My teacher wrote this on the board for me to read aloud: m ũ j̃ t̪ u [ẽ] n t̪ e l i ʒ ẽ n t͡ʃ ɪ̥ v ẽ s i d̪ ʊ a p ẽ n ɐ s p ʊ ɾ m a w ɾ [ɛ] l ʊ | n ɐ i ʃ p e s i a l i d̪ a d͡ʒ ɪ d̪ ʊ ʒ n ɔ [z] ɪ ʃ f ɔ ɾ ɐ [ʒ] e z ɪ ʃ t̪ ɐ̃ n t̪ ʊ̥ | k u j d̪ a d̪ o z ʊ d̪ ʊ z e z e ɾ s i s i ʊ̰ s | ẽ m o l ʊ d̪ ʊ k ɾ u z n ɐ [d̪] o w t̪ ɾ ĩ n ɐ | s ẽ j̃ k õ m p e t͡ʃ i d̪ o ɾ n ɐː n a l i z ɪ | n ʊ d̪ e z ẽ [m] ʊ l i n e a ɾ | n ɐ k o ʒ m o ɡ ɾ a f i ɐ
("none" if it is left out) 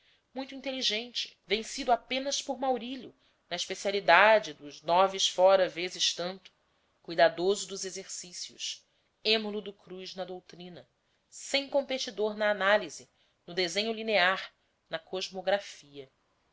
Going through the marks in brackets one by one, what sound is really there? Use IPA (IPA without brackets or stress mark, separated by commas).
ĩ, i, v, v, d̪, ɲ